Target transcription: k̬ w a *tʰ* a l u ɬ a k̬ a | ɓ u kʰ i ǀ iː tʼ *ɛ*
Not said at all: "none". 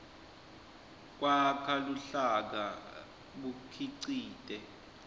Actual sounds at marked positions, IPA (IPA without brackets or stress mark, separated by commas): kʰ, ɛ